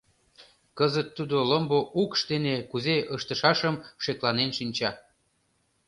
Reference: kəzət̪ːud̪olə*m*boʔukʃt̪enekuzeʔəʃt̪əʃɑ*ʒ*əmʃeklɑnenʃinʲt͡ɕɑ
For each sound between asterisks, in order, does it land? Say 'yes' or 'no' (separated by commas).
yes, no